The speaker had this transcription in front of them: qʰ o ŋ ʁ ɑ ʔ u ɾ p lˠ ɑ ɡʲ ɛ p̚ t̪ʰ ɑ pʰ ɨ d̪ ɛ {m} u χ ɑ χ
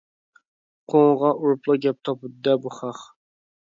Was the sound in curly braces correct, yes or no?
no